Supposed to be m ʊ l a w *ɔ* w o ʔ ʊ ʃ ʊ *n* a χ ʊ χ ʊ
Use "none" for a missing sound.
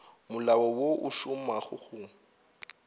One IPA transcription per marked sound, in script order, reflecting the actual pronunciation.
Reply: ɔ, m

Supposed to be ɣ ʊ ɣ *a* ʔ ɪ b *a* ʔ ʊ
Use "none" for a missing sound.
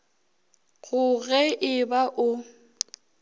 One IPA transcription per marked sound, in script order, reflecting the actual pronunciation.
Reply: ɛ, a

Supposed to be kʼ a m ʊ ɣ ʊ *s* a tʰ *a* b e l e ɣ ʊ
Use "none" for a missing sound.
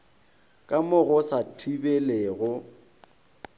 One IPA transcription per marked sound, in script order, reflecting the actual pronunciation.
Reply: s, i

